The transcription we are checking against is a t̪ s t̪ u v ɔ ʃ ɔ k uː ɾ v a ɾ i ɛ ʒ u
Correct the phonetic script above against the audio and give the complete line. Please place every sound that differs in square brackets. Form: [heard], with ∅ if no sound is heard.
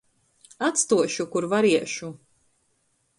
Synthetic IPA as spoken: a t̪ s t̪ u [∅] ɔ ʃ [u] k [u] ɾ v a ɾ i ɛ [ʃ] u